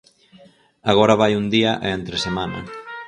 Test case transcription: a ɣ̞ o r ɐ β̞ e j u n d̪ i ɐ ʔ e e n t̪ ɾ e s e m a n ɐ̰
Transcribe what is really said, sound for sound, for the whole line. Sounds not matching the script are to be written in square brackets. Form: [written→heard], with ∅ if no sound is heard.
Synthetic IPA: a ɣ̞ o [r→ɾ] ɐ β̞ [e→a] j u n d̪ i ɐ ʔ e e n t̪ ɾ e s e m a n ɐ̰